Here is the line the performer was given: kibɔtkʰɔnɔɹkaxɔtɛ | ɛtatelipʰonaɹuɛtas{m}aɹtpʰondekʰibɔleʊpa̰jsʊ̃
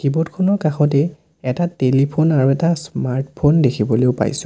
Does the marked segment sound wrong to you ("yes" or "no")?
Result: no